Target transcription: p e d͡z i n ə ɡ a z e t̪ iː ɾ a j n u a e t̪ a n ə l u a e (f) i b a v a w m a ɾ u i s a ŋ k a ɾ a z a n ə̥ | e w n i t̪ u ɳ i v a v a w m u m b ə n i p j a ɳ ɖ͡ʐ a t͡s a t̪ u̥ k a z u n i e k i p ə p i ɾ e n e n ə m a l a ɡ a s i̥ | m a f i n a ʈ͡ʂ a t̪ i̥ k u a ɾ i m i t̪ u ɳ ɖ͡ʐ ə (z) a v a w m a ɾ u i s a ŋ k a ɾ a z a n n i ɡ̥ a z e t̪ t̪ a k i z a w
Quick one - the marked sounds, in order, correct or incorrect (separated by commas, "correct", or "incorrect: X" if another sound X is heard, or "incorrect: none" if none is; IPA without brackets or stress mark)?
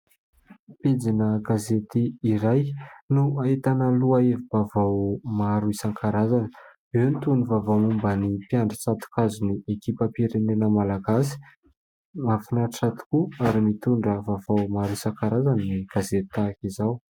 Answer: incorrect: v, incorrect: v